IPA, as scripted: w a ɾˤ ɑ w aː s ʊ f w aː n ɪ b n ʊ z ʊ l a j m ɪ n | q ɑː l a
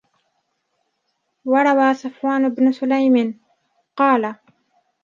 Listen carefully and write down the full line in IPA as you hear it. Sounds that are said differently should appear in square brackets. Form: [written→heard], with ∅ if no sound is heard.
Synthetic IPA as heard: w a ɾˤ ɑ w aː s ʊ f w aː n ɪ b n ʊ [z→s] ʊ l a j m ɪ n | q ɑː l a